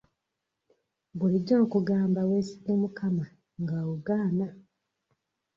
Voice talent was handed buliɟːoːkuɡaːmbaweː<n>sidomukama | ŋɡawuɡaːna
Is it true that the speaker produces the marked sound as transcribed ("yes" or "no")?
no